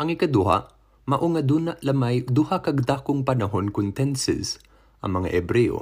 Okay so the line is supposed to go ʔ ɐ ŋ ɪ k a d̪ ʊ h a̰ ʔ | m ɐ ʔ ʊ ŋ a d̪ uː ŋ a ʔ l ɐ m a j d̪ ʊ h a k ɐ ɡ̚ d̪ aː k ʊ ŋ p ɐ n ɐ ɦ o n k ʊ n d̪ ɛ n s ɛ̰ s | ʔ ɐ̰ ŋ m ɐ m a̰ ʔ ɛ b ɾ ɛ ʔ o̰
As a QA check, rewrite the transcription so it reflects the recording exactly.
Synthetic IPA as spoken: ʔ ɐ ŋ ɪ k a d̪ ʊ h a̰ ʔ | m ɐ ʔ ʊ ŋ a d̪ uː n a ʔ l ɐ m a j d̪ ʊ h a k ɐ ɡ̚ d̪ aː k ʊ ŋ p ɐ n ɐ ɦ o n k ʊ n t̪ ɛ n s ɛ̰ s | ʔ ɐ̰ ŋ m ɐ ŋ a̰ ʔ ɛ b ɾ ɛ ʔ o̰